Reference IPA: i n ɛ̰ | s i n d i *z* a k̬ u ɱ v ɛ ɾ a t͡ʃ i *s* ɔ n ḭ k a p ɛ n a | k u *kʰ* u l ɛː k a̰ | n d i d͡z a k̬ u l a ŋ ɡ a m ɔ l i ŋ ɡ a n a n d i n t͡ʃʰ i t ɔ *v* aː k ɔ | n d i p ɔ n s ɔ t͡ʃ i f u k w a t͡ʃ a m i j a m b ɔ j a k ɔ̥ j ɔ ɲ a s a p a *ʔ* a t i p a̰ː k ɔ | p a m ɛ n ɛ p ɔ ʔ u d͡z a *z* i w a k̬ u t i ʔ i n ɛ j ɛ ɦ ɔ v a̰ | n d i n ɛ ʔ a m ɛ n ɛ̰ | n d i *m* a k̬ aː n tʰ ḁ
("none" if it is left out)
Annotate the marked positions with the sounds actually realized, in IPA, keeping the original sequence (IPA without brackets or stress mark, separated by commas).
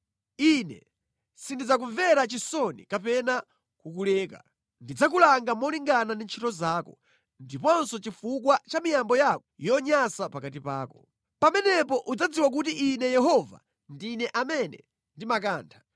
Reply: d͡z, s, k, z, k, d͡z, m